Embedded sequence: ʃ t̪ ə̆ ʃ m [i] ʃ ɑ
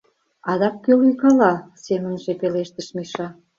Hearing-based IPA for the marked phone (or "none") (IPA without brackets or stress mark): i